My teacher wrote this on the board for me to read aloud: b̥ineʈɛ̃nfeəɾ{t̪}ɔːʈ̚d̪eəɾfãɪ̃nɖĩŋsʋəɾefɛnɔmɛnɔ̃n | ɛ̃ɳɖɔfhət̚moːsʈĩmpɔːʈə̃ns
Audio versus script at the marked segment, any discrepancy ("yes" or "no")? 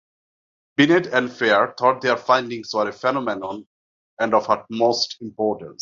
yes